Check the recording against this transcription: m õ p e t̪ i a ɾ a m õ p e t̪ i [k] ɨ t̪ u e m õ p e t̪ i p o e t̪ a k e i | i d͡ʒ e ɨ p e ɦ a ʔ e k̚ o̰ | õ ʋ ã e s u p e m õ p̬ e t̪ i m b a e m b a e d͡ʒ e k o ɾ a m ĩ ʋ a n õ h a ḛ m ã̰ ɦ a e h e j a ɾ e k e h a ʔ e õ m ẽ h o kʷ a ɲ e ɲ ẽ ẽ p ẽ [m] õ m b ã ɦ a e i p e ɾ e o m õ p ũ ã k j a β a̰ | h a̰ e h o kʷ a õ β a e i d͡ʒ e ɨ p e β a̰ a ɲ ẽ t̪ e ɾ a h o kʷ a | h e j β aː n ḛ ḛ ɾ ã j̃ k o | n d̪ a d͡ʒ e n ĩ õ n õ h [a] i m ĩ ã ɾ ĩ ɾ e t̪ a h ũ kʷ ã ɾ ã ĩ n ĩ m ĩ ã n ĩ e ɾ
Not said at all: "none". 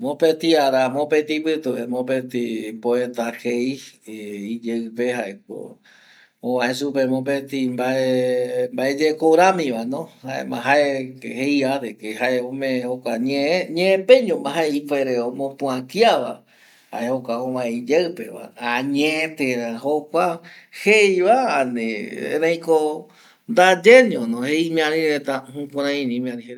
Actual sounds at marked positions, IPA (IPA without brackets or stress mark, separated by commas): p, ɲ, e